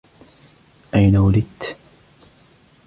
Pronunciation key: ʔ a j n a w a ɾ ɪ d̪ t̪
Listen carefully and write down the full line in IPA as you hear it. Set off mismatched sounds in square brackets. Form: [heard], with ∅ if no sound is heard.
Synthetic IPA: ʔ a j n a w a [l] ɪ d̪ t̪